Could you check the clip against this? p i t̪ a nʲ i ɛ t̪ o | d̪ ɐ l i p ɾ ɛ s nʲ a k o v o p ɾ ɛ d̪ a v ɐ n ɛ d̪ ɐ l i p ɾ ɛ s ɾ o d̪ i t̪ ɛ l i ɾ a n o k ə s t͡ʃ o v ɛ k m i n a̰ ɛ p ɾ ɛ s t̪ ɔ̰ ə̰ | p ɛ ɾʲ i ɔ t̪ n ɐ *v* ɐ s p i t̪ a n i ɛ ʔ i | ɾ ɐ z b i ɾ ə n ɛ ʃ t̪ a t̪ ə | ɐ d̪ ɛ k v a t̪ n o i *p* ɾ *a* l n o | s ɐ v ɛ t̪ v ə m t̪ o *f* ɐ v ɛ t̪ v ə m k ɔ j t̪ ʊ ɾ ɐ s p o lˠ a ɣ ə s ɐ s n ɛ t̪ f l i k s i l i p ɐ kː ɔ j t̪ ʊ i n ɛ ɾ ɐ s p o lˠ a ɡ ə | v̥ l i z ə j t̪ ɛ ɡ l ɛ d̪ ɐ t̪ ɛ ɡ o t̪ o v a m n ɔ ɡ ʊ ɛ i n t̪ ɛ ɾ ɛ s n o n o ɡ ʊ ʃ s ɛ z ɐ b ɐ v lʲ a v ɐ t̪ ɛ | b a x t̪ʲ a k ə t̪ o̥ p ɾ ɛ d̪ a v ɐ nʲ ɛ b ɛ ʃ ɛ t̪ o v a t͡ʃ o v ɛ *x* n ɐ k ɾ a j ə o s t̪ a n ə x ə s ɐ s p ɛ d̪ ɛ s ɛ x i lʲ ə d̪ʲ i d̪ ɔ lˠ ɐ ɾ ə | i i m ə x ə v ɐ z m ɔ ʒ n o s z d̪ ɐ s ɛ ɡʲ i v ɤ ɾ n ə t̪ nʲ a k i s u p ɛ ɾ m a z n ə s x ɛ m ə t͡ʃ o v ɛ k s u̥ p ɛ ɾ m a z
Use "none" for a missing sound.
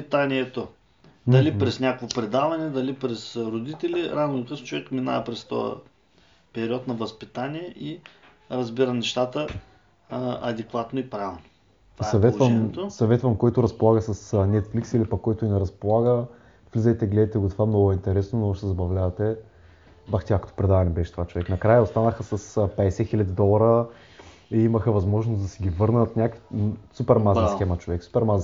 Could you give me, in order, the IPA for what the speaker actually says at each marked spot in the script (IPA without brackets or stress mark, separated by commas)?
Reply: v, p, a, s, k